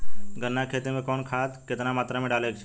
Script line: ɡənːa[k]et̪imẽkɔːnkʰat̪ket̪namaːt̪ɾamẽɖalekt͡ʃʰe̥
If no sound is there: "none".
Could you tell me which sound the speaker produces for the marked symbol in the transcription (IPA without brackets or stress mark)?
kʰ